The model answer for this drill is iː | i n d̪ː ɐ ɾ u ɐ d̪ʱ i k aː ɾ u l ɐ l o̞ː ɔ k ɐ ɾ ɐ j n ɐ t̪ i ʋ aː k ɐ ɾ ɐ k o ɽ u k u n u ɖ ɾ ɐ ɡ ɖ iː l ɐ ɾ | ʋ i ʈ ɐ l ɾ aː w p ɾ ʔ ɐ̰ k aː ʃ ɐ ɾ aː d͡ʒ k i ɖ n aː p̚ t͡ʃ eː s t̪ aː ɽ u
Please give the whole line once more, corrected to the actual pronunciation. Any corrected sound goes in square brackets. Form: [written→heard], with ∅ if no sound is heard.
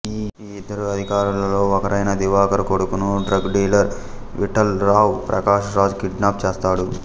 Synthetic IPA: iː | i [n→∅] d̪ː ɐ ɾ u ɐ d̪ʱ i k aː ɾ u l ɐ l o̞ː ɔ k ɐ ɾ ɐ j n ɐ [t̪→d̪] i ʋ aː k ɐ ɾ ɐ k o ɽ u k u n u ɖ ɾ ɐ ɡ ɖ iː l ɐ ɾ | ʋ i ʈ ɐ l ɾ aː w p ɾ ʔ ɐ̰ k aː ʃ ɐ ɾ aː d͡ʒ k i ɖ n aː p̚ t͡ʃ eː s t̪ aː ɽ u

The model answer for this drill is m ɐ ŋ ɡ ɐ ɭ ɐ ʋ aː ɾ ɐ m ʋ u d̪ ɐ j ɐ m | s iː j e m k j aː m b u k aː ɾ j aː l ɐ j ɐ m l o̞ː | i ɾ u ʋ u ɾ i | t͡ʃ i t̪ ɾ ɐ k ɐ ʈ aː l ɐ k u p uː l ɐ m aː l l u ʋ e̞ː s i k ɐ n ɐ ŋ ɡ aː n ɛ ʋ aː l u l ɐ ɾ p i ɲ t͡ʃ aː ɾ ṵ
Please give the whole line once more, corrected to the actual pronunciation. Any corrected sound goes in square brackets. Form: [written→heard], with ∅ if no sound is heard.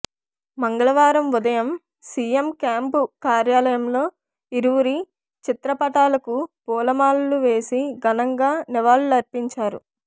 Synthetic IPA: m ɐ ŋ ɡ ɐ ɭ ɐ ʋ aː ɾ ɐ m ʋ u d̪ ɐ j ɐ m | s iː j e m k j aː m [b→p] u k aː ɾ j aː l ɐ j ɐ m l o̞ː | i ɾ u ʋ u ɾ i | t͡ʃ i t̪ ɾ ɐ [k→p] ɐ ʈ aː l ɐ k u p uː l ɐ m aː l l u ʋ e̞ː s i [k→ɡ] ɐ n ɐ ŋ ɡ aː n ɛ ʋ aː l u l ɐ ɾ p i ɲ t͡ʃ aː ɾ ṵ

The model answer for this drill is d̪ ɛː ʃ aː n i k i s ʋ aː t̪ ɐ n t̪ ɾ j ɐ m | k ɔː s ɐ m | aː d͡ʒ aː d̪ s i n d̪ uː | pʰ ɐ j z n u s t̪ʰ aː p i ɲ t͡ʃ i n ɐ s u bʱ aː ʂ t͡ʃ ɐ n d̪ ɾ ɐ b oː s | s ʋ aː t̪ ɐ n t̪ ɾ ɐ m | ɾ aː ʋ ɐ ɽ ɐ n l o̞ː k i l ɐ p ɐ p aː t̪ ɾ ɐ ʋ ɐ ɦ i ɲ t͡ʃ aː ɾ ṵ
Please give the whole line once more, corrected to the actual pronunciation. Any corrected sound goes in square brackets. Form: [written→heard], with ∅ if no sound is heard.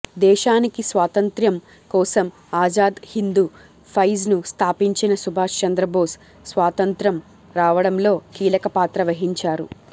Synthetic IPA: d̪ ɛː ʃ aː n i k i s ʋ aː t̪ ɐ n t̪ ɾ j ɐ m | k ɔː s ɐ m | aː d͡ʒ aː d̪ [s→h] i n d̪ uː | pʰ ɐ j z n u s t̪ʰ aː p i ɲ t͡ʃ i n ɐ s u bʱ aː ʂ t͡ʃ ɐ n d̪ ɾ ɐ b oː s | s ʋ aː t̪ ɐ n t̪ ɾ ɐ m | ɾ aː ʋ ɐ ɽ ɐ [n→m] l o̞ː k [i→iː] l ɐ [p→k] ɐ p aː t̪ ɾ ɐ ʋ ɐ ɦ i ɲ t͡ʃ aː ɾ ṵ

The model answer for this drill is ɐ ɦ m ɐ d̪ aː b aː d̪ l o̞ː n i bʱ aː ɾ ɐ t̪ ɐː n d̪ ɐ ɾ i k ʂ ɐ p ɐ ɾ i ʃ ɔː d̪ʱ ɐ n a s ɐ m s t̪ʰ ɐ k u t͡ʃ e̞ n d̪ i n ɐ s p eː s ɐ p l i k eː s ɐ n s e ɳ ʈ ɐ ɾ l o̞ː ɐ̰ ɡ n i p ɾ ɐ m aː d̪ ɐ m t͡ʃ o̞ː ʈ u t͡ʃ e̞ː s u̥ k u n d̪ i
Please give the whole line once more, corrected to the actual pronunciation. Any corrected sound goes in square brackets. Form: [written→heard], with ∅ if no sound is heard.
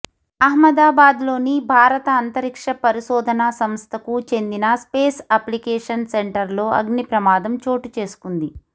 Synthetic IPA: ɐ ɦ m ɐ d̪ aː b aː d̪ l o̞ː n i bʱ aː ɾ ɐ t̪ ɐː n [d̪→t̪] ɐ ɾ i k ʂ ɐ p ɐ ɾ i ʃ ɔː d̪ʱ ɐ n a s ɐ m s t̪ʰ ɐ k u t͡ʃ e̞ n d̪ i n ɐ s p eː s ɐ p l i k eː [s→ʂ] ɐ n s e ɳ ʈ ɐ ɾ l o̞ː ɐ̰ ɡ n i p ɾ ɐ m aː d̪ ɐ m t͡ʃ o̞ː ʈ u t͡ʃ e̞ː s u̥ k u n d̪ i

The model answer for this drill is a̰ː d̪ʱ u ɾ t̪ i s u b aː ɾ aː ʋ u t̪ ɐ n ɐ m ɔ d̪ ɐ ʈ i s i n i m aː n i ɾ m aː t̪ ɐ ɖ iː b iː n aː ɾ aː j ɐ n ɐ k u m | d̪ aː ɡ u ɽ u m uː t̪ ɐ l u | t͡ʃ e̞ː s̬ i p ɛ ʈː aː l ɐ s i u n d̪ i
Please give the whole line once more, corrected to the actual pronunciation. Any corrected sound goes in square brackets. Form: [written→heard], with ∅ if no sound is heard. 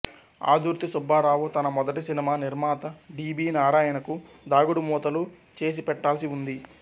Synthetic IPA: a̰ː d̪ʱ u ɾ t̪ i s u b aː ɾ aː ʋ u t̪ ɐ n ɐ m ɔ d̪ ɐ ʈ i s i n i m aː n i ɾ m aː t̪ ɐ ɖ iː b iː n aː ɾ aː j ɐ n ɐ k u [m→∅] | d̪ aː ɡ u ɽ u m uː t̪ ɐ l u | t͡ʃ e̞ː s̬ i p ɛ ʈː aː l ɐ s i u n d̪ i

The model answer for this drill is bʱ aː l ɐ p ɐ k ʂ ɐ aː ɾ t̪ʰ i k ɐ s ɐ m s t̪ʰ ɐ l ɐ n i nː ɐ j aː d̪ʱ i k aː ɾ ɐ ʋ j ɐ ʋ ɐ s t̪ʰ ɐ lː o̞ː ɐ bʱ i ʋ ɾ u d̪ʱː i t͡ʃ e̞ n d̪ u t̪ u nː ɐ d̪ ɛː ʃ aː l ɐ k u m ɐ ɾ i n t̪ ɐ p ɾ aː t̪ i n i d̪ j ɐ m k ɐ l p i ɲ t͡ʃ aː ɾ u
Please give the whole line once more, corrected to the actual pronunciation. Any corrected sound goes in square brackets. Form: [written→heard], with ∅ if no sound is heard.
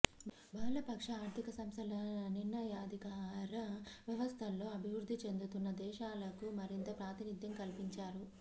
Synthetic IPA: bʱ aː l ɐ p ɐ k ʂ ɐ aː ɾ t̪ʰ i k ɐ s ɐ m s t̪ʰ ɐ l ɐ n i nː ɐ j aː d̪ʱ i k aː ɾ ɐ ʋ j ɐ ʋ ɐ s t̪ʰ ɐ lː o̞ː ɐ bʱ i ʋ ɾ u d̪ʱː i t͡ʃ e̞ n d̪ u t̪ u nː ɐ d̪ ɛː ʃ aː l ɐ k u m ɐ ɾ i n t̪ ɐ p ɾ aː t̪ i n i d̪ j ɐ m k ɐ l p i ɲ t͡ʃ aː ɾ u

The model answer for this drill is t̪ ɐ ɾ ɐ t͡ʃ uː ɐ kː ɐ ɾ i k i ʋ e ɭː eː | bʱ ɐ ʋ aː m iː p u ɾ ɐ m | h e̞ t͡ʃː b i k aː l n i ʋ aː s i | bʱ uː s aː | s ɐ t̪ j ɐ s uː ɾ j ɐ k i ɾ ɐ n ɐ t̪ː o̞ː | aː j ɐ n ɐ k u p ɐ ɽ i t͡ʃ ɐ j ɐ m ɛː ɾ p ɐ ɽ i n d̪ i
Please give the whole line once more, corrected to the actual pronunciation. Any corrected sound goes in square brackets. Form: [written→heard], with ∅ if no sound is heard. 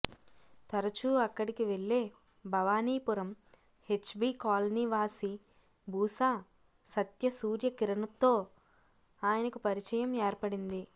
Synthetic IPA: t̪ ɐ ɾ ɐ t͡ʃ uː ɐ kː ɐ [ɾ→ɽ] i k i ʋ e ɭː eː | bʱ ɐ ʋ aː [m→n] iː p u ɾ ɐ m | h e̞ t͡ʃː b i k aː l n i ʋ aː s i | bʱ uː s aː | s ɐ t̪ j ɐ s uː ɾ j ɐ k i ɾ ɐ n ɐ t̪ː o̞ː | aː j ɐ n ɐ k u p ɐ [ɽ→ɾ] i t͡ʃ ɐ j ɐ m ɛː ɾ p ɐ ɽ i n d̪ i

